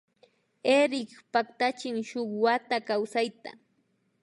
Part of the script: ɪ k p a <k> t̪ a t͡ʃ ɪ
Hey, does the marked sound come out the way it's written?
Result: yes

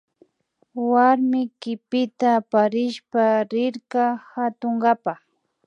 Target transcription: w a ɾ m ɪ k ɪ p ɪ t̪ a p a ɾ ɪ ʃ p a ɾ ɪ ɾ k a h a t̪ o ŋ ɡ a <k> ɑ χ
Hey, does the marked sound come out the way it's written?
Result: no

